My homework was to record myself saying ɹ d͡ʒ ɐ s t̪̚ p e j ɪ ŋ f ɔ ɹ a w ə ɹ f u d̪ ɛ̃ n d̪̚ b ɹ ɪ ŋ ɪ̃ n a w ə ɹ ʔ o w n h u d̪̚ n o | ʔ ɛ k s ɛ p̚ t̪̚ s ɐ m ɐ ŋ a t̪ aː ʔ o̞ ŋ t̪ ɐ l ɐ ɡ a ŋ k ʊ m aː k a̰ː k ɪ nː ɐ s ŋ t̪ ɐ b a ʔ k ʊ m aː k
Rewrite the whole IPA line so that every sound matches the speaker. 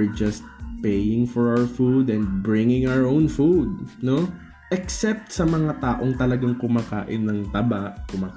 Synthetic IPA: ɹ d͡ʒ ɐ s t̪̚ p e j ɪ ŋ f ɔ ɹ a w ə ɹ f u d̪ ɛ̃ n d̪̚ b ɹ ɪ ŋ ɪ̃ ŋ a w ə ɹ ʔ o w n f u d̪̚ n o | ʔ ɛ k s ɛ p̚ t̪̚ s ɐ m ɐ ŋ a t̪ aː ʔ o̞ ŋ t̪ ɐ l ɐ ɡ a ŋ k ʊ m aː k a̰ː ʔ ɪ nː ɐ ŋ t̪ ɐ b a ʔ k ʊ m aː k